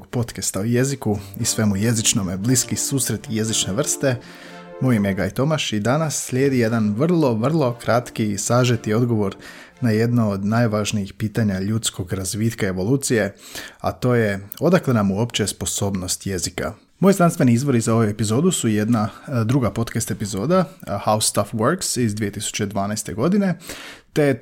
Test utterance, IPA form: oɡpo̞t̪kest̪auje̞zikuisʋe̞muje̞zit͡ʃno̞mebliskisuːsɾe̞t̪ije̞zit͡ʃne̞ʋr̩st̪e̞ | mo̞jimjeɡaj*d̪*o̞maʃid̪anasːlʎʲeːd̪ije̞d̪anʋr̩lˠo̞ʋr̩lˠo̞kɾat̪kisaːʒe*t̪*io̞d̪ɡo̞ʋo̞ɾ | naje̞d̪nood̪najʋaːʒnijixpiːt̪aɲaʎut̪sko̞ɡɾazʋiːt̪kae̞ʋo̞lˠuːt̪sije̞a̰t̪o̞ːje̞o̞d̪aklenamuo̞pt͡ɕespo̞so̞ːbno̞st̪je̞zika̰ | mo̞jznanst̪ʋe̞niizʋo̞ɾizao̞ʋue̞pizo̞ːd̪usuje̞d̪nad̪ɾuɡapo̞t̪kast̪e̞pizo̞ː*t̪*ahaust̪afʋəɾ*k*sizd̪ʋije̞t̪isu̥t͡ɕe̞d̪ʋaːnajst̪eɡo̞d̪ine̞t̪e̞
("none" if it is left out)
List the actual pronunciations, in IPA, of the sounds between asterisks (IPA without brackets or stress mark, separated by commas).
t̪, t̪, d̪, k